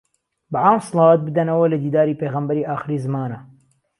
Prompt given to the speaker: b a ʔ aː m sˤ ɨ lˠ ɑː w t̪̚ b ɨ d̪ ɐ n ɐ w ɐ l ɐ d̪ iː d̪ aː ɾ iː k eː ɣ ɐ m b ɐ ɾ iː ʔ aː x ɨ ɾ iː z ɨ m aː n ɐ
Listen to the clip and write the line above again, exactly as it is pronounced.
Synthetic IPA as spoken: b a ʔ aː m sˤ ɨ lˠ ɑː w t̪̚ b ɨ d̪ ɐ n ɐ w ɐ l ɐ d̪ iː d̪ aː ɾ iː p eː ɣ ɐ m b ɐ ɾ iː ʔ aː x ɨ ɾ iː z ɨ m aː n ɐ